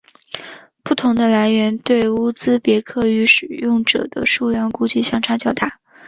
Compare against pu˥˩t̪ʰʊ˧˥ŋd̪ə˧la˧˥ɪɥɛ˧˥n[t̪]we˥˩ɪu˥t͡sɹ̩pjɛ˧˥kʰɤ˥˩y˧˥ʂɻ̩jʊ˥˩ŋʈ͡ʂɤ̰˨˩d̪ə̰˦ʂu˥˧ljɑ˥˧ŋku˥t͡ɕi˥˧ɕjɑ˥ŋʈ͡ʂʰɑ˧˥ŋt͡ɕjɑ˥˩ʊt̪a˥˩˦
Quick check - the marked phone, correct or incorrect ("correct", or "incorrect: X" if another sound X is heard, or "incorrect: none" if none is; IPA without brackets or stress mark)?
correct